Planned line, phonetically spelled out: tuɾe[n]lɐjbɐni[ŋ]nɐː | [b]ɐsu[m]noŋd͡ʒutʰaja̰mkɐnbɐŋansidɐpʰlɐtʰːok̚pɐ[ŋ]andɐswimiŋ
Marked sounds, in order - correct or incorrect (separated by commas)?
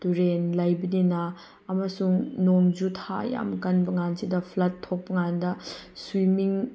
correct, incorrect, incorrect, incorrect, correct